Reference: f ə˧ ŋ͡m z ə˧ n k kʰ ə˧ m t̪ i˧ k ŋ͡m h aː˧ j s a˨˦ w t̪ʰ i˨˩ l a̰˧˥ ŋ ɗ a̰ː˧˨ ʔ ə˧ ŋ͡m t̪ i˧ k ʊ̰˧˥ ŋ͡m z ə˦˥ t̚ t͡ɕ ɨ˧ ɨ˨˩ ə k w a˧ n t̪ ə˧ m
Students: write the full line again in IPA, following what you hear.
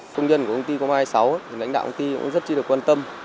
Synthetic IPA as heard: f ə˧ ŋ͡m z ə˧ n k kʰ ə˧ ŋ͡m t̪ i˧ k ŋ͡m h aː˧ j s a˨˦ w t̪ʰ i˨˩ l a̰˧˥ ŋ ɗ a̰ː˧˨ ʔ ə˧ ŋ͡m t̪ i˧ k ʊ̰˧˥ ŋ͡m z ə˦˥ t̚ t͡ɕ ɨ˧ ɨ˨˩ ə k w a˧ n t̪ ə˧ m